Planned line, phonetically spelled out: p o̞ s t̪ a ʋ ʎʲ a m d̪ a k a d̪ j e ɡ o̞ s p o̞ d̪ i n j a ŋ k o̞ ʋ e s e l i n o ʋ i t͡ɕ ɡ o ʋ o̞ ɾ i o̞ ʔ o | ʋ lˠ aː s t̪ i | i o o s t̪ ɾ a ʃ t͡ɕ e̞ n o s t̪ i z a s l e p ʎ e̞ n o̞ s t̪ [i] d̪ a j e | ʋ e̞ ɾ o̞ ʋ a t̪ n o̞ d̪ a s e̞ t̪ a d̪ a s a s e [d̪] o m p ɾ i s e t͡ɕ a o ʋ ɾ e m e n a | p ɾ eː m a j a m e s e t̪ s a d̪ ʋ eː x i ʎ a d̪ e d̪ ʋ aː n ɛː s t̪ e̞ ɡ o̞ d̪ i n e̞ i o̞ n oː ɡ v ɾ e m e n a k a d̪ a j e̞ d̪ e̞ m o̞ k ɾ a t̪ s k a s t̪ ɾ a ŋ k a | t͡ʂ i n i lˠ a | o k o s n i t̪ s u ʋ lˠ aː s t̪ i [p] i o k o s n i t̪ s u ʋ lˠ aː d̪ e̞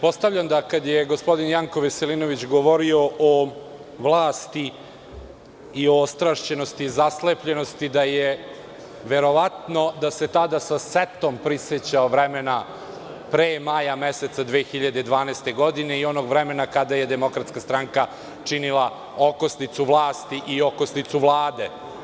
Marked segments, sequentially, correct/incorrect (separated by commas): correct, incorrect, incorrect